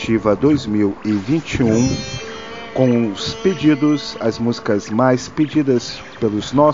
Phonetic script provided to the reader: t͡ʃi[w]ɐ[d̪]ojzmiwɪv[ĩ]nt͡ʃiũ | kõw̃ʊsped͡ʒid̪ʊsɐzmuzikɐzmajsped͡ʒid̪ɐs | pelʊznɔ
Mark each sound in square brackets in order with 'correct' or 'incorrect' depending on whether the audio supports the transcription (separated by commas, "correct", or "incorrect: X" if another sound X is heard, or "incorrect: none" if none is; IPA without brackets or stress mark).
incorrect: v, correct, correct